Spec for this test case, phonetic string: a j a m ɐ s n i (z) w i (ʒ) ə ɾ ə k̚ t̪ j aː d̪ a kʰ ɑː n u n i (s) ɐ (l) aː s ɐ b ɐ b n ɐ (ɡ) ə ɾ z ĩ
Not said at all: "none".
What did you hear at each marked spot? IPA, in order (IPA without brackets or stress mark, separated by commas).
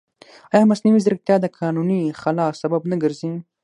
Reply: none, z, x, l, ɡ